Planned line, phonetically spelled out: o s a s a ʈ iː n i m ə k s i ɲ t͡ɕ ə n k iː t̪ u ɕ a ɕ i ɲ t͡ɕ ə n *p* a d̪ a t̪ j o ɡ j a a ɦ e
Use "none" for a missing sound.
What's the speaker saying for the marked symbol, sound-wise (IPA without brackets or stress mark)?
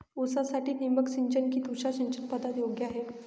p